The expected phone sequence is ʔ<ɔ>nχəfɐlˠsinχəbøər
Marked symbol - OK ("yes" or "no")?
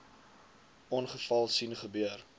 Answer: yes